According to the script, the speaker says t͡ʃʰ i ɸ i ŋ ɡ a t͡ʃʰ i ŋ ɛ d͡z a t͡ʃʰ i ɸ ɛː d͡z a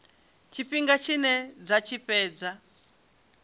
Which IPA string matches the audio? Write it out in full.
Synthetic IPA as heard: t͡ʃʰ i ɸ i ŋ ɡ a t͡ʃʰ i n ɛ d͡z a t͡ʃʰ i ɸ ɛː d͡z a